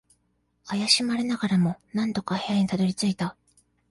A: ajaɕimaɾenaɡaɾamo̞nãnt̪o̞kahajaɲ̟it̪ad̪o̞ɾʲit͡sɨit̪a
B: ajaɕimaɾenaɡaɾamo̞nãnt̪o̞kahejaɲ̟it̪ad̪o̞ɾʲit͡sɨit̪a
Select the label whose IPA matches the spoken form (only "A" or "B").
B